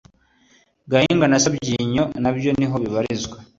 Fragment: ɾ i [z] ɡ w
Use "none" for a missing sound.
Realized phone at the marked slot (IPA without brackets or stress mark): z